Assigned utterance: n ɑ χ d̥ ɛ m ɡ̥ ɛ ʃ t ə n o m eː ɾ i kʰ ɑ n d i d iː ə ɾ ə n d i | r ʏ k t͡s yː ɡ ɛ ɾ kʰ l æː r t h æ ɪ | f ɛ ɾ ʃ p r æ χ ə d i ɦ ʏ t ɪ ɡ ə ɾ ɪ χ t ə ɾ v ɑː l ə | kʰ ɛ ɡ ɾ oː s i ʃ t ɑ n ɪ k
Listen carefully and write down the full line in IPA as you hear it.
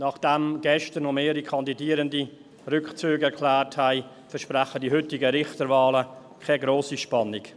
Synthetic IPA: n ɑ χ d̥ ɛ m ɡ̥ ɛ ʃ t ə n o m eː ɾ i kʰ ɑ n d i d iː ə ɾ ə n d i | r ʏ k t͡s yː ɡ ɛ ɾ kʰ l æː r t h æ ɪ | f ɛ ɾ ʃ p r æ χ ə d i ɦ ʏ t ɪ ɡ ə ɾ ɪ χ t ə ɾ v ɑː l ə | kʰ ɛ ɡ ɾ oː s i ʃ p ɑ n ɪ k